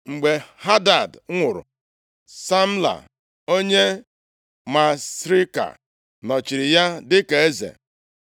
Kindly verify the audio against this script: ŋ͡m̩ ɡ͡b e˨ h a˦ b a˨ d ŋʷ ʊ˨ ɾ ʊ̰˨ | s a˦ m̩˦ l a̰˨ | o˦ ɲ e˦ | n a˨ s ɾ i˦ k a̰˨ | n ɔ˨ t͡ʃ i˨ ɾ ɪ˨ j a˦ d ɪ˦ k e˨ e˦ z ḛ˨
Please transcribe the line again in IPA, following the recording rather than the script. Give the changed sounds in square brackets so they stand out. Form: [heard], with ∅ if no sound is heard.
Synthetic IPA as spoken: ŋ͡m̩ ɡ͡b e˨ h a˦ [d] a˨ d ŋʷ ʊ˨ ɾ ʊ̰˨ | s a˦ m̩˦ l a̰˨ | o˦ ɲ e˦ | [m] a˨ s ɾ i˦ k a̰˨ | n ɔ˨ t͡ʃ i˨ ɾ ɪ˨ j a˦ d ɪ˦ k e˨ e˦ z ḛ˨